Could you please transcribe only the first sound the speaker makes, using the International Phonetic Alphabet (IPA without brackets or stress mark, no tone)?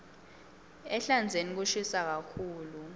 ɛ